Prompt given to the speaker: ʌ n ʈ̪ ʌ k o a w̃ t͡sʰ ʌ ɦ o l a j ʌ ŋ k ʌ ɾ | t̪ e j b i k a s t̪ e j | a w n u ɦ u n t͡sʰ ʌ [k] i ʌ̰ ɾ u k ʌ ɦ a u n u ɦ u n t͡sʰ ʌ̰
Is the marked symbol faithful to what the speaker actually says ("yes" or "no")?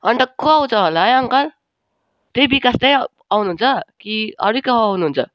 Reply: yes